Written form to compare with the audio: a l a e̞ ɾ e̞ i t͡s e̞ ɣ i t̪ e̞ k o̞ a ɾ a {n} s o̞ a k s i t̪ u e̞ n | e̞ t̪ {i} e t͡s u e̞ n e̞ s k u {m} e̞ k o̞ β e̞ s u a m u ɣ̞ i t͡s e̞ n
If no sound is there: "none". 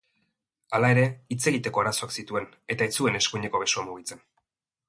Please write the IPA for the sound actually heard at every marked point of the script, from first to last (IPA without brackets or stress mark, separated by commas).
none, a, ɲ